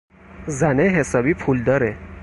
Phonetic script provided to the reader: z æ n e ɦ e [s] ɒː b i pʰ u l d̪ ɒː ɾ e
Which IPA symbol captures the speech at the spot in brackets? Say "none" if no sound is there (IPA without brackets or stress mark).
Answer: s